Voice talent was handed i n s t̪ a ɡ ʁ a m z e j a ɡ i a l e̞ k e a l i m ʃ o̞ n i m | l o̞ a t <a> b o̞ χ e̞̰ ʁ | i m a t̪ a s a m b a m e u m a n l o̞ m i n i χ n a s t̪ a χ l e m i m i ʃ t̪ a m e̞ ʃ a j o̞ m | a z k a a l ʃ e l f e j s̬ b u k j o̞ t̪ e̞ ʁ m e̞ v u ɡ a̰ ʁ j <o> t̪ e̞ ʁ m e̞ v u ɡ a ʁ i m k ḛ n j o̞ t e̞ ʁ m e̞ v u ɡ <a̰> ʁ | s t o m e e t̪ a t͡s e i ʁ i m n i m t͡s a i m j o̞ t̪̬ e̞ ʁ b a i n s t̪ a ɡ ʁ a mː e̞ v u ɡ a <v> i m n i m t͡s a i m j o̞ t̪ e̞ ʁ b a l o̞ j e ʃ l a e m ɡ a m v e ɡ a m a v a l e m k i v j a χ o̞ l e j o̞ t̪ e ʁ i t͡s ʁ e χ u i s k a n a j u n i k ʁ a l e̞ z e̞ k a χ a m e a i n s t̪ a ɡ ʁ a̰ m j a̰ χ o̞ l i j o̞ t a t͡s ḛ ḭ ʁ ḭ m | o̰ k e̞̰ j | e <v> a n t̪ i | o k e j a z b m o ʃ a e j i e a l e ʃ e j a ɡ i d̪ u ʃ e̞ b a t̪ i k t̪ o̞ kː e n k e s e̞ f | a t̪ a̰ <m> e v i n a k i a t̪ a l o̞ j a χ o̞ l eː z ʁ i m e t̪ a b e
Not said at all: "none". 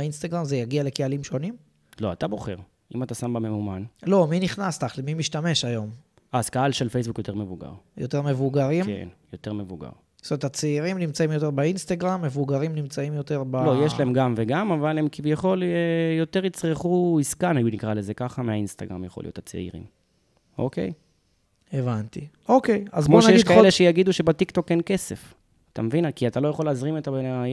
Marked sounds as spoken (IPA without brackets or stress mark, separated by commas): a, o, a̰, ʁ, v, m